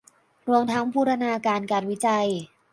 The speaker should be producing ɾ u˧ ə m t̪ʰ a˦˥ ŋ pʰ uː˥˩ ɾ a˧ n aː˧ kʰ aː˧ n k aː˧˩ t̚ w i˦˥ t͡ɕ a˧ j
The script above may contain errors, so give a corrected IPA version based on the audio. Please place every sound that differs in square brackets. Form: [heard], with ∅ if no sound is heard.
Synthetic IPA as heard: ɾ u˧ ə m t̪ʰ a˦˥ ŋ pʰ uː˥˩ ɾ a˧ n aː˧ [k] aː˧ n k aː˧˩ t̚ w i˦˥ t͡ɕ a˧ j